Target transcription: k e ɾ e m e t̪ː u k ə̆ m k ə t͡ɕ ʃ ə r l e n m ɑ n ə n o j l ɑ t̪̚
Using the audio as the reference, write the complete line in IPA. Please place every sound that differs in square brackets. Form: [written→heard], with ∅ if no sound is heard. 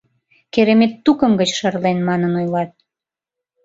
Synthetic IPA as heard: k e ɾ e m e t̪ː u k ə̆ m [k→ɡ] ə t͡ɕ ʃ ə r l e n m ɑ n ə n o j l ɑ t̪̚